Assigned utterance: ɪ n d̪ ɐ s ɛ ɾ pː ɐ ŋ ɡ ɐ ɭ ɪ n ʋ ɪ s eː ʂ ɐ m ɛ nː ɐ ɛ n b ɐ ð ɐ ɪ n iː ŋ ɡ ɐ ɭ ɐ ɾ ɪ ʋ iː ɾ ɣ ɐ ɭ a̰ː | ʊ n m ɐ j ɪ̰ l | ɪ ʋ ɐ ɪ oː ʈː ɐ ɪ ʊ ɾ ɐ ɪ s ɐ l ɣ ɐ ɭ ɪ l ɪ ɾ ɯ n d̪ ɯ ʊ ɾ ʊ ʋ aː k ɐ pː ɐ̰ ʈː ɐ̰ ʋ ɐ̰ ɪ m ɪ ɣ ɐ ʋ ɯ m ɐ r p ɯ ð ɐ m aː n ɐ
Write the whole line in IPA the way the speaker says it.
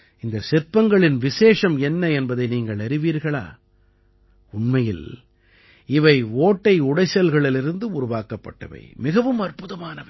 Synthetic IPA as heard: ɪ n d̪ ɐ s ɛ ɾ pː ɐ ŋ ɡ ɐ ɭ ɪ n ʋ ɪ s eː ʂ ɐ m ɛ nː ɐ ɛ n b ɐ ð ɐ ɪ n iː ŋ ɡ ɐ ɭ ɐ ɾ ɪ ʋ iː ɾ ɣ ɐ ɭ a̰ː | ʊ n m ɐ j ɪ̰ l | ɪ ʋ ɐ ɪ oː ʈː ɐ ɪ ʊ ɽ ɐ ɪ s ɐ l ɣ ɐ ɭ ɪ l ɪ ɾ ɯ n d̪ ɯ ʊ ɾ ʊ ʋ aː k ɐ pː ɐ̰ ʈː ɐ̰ ʋ ɐ̰ ɪ m ɪ ɣ ɐ ʋ ɯ m ɐ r p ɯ ð ɐ m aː n ɐ